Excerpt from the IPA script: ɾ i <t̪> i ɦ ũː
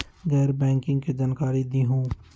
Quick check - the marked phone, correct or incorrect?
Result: incorrect